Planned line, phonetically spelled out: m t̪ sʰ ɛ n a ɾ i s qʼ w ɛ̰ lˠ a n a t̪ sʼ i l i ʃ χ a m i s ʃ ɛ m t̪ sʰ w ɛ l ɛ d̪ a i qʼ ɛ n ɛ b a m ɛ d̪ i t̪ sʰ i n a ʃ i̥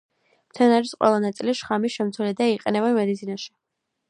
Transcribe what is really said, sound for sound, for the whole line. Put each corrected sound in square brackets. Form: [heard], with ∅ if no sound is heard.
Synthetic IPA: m t̪ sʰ ɛ n a ɾ i s qʼ w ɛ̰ lˠ a n a t̪ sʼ i l i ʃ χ a m i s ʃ ɛ m t̪ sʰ w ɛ l ɛ d̪ a i qʼ ɛ n ɛ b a m ɛ d̪ i t̪ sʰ i n a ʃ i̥